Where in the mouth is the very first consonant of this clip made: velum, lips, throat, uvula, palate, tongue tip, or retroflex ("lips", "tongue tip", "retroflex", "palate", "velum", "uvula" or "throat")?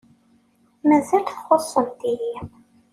lips